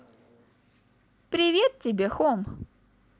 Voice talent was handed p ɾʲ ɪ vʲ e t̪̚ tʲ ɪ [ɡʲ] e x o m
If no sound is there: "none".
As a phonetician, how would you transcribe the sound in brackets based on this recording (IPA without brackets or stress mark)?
bʲ